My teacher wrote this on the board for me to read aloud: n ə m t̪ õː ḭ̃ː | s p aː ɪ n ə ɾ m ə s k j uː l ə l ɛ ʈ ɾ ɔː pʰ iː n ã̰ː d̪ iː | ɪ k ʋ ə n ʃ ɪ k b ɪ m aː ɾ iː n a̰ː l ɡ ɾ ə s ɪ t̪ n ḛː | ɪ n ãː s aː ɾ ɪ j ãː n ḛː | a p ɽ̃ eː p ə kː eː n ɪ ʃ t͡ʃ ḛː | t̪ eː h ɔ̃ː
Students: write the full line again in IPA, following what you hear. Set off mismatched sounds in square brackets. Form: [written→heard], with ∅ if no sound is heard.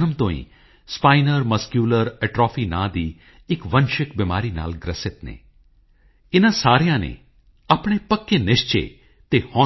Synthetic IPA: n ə m t̪ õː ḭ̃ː | s p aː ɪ n ə ɾ m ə s k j uː l ə [l→ɾ] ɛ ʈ ɾ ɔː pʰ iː n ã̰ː d̪ iː | ɪ k ʋ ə n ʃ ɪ k b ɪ m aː ɾ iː n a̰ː l ɡ ɾ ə s ɪ t̪ n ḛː | ɪ n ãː s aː ɾ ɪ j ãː n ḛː | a p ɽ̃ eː p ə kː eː n ɪ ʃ t͡ʃ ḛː | t̪ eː h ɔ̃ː